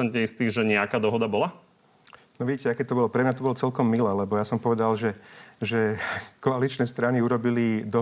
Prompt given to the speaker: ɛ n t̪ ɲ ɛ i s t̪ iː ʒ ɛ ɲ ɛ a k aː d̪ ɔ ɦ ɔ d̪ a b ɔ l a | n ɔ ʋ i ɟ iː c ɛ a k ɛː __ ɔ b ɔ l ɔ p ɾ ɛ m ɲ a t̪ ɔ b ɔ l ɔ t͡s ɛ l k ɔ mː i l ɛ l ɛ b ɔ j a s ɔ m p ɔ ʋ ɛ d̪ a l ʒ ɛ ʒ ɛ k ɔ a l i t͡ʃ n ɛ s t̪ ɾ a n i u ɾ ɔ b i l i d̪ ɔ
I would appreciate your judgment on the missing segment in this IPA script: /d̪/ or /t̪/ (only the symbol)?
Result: t̪